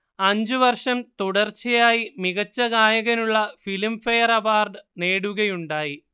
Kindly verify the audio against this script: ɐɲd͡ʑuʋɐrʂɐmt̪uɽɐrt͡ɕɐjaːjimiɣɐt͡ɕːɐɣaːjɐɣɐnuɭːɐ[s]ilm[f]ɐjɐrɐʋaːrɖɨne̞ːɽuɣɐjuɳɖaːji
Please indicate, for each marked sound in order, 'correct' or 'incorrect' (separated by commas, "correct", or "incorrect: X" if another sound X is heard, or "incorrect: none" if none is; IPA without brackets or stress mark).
incorrect: f, correct